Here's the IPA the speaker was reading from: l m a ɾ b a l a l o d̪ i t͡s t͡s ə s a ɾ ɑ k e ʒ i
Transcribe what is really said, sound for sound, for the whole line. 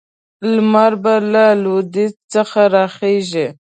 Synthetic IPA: l m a ɾ b a l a l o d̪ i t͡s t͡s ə x a ɾ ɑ x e ʒ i